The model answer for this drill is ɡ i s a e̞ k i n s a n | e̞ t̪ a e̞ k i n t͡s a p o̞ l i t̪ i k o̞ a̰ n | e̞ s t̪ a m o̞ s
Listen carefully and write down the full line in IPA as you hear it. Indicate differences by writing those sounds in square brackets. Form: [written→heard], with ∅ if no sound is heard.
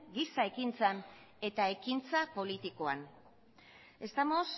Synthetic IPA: ɡ i s a e̞ k i n [s→t͡s] a n | e̞ t̪ a e̞ k i n t͡s a p o̞ l i t̪ i k o̞ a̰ n | e̞ s t̪ a m o̞ s